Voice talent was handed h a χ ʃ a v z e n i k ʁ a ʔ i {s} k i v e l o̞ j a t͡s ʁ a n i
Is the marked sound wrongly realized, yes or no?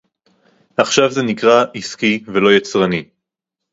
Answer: no